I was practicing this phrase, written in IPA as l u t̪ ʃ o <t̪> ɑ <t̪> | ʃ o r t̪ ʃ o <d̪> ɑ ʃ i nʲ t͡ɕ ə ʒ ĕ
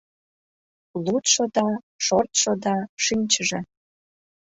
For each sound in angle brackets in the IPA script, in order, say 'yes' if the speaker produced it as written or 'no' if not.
no, no, yes

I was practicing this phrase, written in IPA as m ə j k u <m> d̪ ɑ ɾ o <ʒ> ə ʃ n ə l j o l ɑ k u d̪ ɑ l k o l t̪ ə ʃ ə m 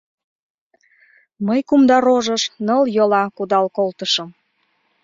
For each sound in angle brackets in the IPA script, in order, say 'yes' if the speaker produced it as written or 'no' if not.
yes, yes

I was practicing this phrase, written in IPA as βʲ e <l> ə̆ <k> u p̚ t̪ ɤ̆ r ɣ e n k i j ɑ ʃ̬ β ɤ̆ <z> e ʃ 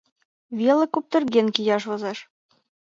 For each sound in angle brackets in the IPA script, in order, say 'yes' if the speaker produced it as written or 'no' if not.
yes, yes, yes

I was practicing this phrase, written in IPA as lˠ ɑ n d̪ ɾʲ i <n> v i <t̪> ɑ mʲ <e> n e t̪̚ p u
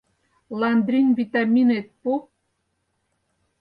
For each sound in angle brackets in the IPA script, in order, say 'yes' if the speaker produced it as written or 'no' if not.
yes, yes, no

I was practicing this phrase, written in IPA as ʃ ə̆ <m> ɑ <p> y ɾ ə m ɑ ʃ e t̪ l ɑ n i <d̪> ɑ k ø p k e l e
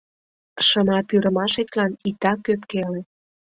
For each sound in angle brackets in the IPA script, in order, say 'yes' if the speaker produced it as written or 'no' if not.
yes, yes, no

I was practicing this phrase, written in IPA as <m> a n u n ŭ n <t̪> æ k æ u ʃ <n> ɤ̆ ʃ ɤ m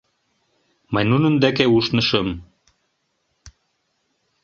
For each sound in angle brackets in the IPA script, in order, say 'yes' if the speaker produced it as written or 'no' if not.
yes, no, yes

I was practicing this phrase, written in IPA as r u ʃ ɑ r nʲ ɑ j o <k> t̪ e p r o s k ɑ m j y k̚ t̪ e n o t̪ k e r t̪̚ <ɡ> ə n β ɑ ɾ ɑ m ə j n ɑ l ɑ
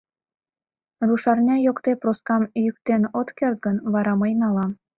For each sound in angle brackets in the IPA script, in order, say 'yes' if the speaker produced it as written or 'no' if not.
yes, yes

